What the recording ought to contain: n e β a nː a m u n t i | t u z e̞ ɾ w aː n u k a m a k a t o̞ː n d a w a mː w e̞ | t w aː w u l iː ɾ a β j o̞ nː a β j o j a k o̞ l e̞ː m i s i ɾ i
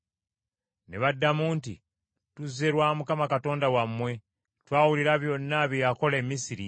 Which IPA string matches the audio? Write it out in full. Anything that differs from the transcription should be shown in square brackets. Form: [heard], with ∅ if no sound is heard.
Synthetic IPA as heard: n e β a [dː] a m u n t i | t u z e̞ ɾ w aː [m] u k a m a k a t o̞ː n d a w a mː w e̞ | t w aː w u l [i] ɾ a β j o̞ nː a β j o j a k o̞ l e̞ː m i s i ɾ i